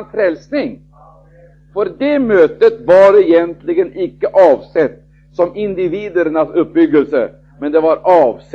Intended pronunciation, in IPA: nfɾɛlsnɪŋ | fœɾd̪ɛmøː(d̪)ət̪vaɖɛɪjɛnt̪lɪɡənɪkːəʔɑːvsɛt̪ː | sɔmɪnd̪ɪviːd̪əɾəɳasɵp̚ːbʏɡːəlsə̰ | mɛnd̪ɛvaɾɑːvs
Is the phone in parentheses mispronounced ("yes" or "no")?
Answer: yes